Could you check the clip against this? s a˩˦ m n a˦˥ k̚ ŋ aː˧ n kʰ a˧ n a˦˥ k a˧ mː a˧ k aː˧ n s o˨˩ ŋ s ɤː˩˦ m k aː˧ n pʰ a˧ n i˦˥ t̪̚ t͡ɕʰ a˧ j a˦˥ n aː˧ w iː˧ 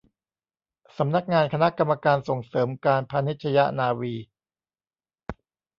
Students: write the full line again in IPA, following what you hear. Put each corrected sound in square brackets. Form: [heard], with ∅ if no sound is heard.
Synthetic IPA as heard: s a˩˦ m n a˦˥ k̚ ŋ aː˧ n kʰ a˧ n a˦˥ k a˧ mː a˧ k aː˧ n s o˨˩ ŋ s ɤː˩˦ m k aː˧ n pʰ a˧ n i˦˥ t̪̚ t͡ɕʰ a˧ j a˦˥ n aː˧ w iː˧